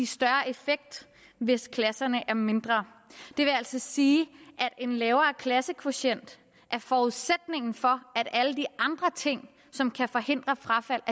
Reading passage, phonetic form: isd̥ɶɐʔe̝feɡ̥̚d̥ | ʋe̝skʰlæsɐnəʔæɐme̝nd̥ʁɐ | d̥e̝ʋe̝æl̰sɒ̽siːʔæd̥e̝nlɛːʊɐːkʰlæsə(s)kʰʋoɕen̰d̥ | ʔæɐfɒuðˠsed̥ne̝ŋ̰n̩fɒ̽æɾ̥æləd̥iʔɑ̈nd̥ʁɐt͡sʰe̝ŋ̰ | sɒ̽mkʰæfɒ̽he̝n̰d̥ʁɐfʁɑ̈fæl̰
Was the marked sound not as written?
yes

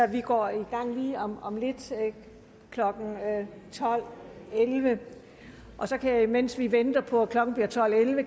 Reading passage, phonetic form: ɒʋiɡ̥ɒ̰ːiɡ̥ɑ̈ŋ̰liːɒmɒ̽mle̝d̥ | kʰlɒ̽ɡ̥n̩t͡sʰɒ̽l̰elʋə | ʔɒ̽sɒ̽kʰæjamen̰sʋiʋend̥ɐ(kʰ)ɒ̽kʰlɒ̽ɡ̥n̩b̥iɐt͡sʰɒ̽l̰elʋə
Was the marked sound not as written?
yes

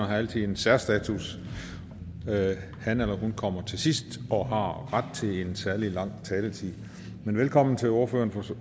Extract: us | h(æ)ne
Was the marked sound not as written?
no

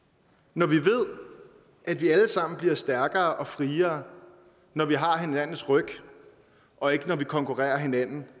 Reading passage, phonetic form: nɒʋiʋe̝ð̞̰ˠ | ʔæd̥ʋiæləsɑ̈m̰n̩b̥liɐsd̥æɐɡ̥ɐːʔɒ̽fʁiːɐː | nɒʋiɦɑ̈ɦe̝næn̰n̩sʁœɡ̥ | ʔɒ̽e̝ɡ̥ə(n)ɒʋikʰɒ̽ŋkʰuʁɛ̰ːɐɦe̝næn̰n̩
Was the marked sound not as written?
no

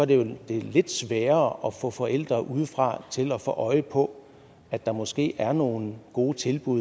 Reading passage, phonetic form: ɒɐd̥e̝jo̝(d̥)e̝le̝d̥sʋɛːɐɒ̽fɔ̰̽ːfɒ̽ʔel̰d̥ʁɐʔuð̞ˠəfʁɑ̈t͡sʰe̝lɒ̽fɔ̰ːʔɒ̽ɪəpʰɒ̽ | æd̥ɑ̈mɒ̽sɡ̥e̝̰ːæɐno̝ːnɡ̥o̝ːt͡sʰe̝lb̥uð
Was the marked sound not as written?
no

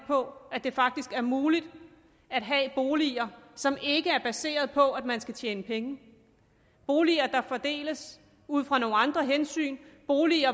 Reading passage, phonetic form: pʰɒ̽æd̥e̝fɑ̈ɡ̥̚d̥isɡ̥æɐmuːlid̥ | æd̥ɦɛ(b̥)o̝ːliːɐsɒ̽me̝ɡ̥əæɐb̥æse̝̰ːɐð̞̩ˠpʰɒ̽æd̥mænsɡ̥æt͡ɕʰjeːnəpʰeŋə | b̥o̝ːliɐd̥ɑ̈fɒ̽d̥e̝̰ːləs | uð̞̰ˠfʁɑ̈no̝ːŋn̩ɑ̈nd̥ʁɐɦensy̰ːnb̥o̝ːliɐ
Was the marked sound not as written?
no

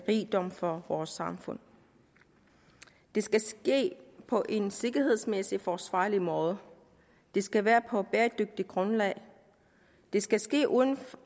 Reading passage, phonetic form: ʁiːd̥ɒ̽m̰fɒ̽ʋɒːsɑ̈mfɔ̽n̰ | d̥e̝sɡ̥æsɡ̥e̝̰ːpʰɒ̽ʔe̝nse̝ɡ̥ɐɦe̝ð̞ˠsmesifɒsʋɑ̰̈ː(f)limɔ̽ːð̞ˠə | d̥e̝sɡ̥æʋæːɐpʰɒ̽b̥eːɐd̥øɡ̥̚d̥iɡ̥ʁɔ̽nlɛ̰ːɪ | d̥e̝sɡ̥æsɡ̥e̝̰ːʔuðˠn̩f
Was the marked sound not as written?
yes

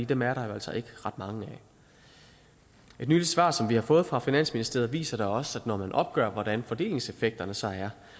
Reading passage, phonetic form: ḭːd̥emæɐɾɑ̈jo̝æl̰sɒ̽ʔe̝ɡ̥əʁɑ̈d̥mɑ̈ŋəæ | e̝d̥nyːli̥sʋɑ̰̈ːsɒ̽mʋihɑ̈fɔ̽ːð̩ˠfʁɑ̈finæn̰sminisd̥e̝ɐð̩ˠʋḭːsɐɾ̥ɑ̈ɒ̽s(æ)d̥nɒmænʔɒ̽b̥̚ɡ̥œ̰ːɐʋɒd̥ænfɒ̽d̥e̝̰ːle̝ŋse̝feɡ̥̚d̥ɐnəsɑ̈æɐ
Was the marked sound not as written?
no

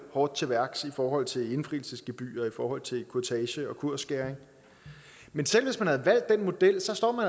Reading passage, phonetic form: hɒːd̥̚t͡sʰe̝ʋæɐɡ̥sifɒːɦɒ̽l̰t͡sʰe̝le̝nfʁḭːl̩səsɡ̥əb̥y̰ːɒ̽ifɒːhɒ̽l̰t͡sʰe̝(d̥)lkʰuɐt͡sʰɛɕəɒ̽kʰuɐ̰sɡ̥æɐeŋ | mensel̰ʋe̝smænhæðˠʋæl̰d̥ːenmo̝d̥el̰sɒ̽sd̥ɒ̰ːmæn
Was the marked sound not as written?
yes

